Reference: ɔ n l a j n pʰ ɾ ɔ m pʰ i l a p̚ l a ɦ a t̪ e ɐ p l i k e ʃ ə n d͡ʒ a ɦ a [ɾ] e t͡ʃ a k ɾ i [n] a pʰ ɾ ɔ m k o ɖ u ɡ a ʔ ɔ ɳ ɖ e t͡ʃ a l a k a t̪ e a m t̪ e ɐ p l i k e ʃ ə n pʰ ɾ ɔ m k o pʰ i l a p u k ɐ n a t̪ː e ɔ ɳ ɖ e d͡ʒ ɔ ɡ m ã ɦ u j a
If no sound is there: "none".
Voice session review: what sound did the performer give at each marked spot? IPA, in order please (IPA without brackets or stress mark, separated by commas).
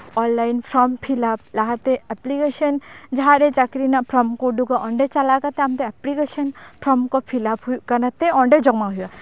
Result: ɾ, n